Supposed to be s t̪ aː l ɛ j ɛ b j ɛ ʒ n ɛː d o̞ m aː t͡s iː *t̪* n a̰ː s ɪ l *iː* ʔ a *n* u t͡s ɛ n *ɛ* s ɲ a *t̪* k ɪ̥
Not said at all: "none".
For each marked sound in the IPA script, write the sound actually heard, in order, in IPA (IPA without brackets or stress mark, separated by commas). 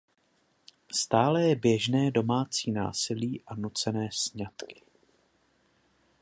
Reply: none, iː, n, ɛː, t̪